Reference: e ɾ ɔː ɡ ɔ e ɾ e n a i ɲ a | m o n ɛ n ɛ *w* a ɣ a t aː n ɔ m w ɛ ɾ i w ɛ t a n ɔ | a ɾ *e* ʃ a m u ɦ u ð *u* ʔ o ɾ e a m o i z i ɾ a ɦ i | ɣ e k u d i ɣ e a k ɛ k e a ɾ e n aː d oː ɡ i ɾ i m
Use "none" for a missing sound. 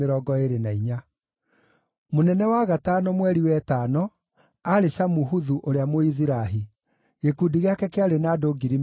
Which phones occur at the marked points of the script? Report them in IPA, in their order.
w, e, u

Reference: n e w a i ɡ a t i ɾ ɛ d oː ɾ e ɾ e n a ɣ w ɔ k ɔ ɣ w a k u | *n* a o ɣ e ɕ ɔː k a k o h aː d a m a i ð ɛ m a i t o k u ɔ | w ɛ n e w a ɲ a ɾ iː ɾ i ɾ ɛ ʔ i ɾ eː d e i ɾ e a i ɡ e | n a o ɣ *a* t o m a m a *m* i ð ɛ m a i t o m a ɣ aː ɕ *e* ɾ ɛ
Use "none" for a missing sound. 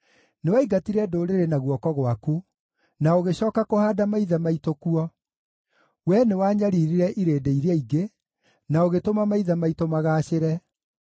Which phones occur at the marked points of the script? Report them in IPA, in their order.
n, e, none, e

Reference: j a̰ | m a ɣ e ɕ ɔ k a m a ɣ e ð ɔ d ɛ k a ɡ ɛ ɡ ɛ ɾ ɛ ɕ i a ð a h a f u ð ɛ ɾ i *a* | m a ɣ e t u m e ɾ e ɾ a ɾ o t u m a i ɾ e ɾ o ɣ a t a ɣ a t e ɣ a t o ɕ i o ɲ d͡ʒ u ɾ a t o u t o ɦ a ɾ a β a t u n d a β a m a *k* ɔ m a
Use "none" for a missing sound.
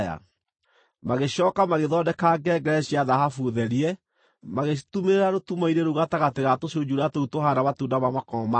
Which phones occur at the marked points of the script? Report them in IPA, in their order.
ɛ, k

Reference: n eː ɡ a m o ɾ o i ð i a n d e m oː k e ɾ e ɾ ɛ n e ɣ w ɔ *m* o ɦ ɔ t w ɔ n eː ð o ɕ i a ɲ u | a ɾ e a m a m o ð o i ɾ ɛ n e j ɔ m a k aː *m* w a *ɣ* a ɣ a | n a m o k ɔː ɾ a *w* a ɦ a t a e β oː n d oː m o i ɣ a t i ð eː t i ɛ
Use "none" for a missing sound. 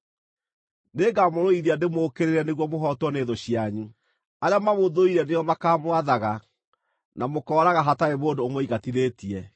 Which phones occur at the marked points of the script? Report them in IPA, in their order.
m, m, ð, ɣ

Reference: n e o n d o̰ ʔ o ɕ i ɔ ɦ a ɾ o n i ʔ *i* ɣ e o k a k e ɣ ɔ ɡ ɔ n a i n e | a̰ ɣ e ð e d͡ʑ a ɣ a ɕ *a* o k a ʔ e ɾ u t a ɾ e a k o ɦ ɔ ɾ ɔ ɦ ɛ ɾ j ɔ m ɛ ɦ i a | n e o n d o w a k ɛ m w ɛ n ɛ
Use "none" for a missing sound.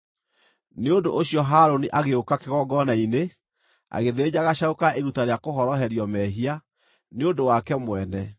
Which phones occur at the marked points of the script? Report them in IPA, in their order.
a, a

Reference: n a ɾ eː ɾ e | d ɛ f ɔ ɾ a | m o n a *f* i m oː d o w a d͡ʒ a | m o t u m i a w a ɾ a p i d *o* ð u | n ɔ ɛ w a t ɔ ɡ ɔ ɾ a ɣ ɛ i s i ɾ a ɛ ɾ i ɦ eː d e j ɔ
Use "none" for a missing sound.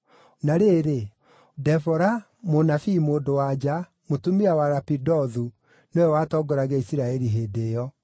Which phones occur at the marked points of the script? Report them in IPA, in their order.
f, ɔ

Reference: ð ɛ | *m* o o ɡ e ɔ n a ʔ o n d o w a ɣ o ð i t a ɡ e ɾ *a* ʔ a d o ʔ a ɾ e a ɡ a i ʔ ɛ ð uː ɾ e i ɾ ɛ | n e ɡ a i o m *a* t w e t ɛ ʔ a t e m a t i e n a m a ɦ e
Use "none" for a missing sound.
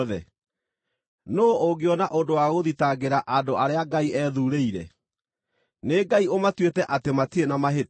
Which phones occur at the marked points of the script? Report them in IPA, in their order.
n, a, a

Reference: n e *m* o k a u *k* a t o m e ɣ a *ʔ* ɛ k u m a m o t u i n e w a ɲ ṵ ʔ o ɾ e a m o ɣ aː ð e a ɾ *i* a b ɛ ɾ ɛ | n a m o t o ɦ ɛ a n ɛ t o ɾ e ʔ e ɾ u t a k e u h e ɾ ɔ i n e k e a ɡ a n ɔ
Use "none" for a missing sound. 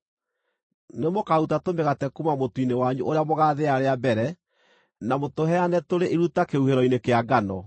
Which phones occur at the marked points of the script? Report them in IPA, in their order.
m, t, t, e

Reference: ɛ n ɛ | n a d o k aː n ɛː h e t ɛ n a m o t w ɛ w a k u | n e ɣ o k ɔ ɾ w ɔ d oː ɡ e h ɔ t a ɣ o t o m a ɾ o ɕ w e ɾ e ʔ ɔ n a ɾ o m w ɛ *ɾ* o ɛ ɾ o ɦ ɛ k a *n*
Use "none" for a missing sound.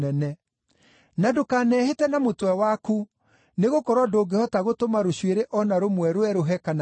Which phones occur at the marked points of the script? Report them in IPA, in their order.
ɾ, n

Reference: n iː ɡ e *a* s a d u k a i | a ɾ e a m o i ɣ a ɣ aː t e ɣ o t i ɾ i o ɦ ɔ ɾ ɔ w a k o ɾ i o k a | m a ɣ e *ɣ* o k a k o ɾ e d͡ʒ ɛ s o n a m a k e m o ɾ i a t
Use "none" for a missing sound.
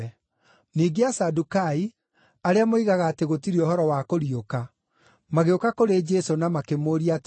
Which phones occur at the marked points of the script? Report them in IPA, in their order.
a, none

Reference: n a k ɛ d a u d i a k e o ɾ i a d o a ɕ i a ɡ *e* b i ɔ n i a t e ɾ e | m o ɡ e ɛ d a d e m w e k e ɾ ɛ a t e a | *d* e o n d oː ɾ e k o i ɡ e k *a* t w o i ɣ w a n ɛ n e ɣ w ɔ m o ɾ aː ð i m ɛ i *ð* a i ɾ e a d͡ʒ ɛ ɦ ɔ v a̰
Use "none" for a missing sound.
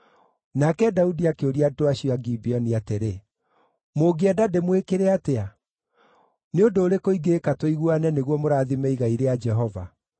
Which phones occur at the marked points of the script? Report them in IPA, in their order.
i, n, a, ɣ

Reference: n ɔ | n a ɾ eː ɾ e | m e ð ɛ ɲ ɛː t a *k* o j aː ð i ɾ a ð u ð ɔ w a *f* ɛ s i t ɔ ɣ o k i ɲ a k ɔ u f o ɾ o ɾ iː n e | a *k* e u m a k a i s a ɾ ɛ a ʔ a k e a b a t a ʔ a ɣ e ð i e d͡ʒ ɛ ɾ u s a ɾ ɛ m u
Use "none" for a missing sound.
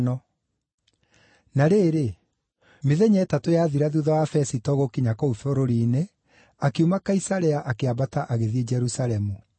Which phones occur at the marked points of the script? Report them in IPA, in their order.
t, f, k

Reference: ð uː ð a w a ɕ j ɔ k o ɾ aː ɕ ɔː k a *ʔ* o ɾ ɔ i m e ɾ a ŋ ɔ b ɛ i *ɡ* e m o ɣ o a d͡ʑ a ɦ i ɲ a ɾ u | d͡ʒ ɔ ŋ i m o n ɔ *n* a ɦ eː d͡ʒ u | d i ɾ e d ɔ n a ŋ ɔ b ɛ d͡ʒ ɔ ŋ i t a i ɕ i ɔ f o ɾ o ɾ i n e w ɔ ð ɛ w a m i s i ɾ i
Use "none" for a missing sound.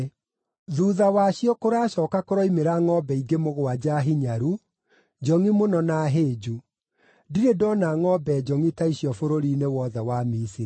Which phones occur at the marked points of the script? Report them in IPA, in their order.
k, ɡ, n

